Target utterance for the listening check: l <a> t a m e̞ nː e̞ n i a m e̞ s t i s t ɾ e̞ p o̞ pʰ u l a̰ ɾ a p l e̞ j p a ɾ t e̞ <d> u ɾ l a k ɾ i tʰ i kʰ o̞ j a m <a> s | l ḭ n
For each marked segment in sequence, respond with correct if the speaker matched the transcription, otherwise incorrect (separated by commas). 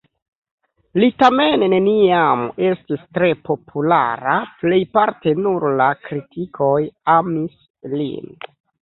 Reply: incorrect, incorrect, incorrect